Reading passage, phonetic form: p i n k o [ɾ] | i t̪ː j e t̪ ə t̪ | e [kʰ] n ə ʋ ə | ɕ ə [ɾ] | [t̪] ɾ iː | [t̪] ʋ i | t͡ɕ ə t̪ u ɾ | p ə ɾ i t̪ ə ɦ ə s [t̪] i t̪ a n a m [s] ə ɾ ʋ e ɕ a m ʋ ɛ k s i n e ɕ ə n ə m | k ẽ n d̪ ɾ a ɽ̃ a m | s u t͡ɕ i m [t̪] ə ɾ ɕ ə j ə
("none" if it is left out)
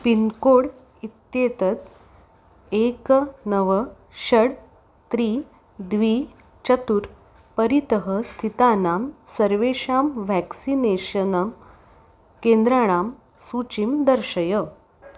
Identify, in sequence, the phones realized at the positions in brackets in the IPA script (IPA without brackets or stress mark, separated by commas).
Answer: ɽ, k, ɽ, t̪, d̪, t̪ʰ, s, d̪